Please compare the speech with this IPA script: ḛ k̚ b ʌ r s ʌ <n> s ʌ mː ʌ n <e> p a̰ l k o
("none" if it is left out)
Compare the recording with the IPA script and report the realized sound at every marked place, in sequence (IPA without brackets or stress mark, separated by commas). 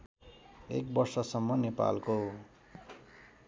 none, e